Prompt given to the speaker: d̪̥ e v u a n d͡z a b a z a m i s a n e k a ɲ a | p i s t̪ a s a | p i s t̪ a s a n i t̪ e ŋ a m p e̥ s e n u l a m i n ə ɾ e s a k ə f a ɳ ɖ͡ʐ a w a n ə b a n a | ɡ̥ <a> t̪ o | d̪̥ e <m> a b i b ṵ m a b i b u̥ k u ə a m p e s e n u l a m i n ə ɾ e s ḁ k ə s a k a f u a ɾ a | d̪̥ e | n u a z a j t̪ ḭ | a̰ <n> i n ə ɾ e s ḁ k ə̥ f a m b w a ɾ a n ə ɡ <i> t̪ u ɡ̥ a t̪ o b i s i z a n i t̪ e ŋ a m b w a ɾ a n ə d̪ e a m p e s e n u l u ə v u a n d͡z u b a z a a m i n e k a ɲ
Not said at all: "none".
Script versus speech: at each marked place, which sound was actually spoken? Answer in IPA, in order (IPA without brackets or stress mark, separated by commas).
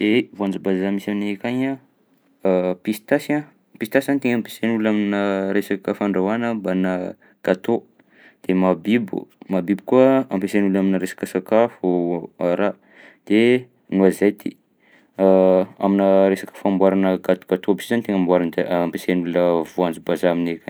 a, m, m, a